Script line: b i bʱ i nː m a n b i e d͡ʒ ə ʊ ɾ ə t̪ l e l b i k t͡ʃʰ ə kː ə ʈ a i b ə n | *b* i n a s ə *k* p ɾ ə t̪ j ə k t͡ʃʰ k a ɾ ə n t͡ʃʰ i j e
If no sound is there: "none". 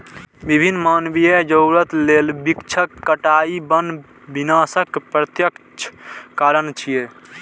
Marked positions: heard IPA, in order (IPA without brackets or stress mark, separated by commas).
b, k